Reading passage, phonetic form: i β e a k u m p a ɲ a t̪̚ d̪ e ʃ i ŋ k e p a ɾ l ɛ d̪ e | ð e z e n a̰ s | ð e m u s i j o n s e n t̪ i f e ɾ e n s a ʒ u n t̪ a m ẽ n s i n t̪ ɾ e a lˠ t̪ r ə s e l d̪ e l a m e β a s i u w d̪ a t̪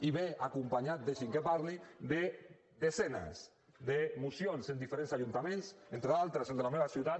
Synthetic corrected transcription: i β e a k u m p a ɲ a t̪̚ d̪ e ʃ i ŋ k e p a ɾ l i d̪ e | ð e z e n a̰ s | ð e m u s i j o n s e n d̪ i f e ɾ e n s a ʒ u n t̪ a m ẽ n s e n t̪ ɾ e a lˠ t̪ ɾ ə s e l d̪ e l a m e β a s i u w t̪ a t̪